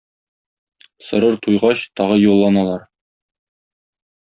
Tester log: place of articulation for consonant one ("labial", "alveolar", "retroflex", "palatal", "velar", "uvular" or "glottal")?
alveolar